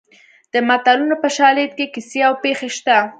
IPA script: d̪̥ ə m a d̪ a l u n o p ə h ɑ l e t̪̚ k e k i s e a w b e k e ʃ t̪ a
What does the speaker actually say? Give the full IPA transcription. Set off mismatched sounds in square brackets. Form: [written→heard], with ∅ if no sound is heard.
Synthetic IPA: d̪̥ ə m a [d̪→t̪] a l u n o p ə [h→ʃ] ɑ l e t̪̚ k e k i s e a w [b→p] e [k→x] e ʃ t̪ a